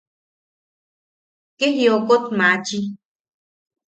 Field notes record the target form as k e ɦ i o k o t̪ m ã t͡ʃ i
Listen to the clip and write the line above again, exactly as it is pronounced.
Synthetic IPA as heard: k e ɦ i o k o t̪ m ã t͡ʃ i